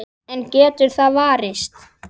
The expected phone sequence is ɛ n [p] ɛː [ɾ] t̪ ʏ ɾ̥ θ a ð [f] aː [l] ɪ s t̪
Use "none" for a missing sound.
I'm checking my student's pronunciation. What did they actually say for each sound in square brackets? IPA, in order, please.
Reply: c, none, v, ɾ

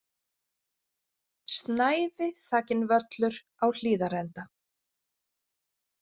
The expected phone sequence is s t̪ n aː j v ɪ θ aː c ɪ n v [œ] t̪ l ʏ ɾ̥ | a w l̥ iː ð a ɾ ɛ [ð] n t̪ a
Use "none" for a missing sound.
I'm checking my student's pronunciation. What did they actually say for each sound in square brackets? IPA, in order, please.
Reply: œ, none

